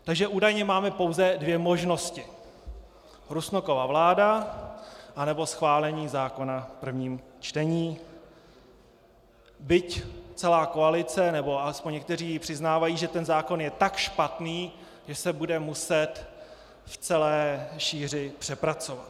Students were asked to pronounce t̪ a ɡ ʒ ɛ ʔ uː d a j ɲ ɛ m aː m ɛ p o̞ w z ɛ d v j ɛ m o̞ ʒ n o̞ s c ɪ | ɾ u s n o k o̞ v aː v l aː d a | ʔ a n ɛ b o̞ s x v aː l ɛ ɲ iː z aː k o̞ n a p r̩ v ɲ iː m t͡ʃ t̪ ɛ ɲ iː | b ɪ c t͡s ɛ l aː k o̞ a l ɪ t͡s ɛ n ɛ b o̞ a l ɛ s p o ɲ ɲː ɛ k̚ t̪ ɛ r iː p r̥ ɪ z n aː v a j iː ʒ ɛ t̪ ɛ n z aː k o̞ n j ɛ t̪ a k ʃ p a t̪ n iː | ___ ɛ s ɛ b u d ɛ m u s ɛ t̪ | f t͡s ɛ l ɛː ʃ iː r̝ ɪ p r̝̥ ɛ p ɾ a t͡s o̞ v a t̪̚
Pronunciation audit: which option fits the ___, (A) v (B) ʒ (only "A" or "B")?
B